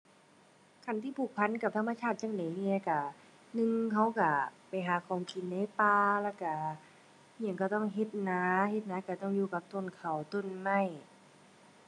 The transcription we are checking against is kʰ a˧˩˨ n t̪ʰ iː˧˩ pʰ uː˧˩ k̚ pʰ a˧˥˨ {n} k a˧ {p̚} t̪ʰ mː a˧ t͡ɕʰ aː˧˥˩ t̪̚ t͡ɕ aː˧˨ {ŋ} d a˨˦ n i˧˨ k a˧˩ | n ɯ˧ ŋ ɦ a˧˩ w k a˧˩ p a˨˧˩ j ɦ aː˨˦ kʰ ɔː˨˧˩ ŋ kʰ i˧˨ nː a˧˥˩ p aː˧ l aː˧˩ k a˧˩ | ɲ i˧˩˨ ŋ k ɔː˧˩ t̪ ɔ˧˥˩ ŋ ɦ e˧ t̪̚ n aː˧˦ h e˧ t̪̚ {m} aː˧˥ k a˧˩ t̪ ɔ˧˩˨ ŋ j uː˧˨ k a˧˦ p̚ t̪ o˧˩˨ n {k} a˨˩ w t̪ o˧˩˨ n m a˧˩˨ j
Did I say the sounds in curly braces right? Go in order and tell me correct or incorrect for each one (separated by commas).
correct, correct, correct, incorrect, incorrect